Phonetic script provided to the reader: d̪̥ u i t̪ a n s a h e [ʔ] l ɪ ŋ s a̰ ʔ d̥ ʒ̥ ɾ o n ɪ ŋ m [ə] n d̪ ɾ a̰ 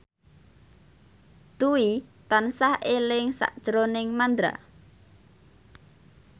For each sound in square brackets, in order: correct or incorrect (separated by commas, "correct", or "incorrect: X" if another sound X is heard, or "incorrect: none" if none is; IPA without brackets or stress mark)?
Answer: incorrect: none, incorrect: a